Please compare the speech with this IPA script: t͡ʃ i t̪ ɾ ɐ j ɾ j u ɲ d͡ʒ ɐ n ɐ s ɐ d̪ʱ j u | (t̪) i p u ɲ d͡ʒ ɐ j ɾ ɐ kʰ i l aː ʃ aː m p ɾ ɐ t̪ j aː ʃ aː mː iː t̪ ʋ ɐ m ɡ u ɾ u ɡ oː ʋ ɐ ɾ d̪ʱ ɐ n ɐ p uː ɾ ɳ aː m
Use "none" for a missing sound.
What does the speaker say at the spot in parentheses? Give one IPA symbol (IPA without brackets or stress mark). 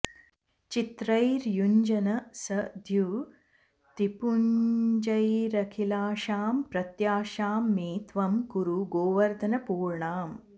t̪